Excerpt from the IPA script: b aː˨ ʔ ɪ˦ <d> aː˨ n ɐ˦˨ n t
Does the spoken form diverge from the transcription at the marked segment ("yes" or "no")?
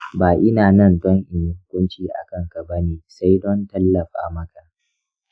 yes